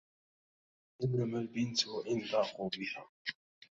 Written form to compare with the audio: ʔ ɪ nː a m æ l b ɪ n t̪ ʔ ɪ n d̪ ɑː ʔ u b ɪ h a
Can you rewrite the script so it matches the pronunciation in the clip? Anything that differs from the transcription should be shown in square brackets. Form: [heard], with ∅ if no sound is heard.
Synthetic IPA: ʔ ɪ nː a m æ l b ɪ n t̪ ʔ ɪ n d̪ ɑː [q] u b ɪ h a